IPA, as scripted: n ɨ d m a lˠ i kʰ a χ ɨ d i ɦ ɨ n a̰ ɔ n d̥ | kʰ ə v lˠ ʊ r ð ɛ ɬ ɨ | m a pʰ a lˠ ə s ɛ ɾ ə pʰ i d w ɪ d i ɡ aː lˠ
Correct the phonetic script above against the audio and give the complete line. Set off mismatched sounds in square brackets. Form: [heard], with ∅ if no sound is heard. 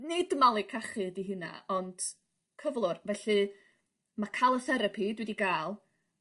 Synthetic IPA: n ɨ d m a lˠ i kʰ a χ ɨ d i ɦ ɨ n a̰ ɔ n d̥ | kʰ ə v lˠ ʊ r [v] ɛ ɬ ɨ | m a [kʰ] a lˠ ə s ɛ ɾ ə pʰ i d w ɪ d i ɡ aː lˠ